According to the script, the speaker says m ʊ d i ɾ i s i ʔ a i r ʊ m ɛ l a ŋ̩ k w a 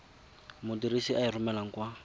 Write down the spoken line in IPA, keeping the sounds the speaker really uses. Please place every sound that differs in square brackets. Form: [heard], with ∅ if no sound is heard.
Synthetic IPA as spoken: m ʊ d i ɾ i s i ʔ a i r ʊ m ɛ l a ŋ̩ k w a

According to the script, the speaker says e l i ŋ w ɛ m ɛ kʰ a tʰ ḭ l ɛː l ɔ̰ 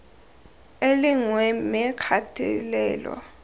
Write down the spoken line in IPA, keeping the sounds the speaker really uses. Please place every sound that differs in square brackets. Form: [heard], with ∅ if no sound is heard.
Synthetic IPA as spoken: e l i ŋ w ɛ m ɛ kʰ a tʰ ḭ l ɛː l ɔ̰

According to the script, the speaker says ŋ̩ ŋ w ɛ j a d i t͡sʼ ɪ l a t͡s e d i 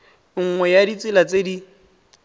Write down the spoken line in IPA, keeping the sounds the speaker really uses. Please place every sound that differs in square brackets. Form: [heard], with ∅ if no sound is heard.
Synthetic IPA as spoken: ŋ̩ ŋ w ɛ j a d i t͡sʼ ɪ l a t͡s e d i

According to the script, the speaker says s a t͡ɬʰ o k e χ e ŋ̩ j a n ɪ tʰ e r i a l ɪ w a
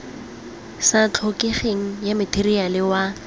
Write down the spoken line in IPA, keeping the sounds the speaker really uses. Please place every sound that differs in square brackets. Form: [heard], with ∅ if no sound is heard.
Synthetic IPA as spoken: s a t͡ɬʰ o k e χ e ŋ̩ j a [m] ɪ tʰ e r i a l ɪ w a

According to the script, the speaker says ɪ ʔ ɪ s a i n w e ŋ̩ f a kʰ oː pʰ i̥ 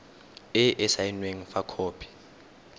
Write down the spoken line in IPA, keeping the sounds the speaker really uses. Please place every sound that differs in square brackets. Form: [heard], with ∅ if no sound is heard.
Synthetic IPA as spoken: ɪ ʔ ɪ s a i n w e ŋ̩ f a kʰ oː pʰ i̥

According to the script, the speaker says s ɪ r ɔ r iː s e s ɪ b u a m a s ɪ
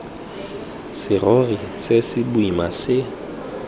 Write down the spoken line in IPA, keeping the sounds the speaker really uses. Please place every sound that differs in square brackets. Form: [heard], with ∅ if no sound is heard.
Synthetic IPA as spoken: s ɪ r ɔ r [i] s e s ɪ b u [i] m a s ɪ

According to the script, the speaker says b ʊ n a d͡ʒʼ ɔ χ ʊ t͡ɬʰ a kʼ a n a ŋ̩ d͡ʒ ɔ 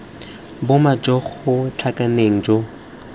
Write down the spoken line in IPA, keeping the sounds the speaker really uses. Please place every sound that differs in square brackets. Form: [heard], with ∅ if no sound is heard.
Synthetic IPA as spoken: b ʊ [m] a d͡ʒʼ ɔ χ ʊ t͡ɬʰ a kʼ a n [e] ŋ̩ d͡ʒ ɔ

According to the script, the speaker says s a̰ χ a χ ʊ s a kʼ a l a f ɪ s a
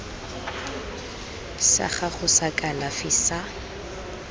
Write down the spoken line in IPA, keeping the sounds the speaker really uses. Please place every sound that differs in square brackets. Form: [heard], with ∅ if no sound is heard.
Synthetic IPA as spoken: s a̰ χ a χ ʊ s a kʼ a l a f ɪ s a

